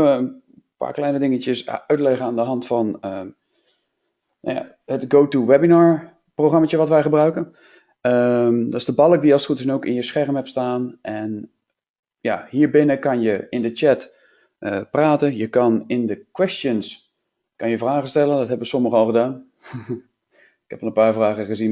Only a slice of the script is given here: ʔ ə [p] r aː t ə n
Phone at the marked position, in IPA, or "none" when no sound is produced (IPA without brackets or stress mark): p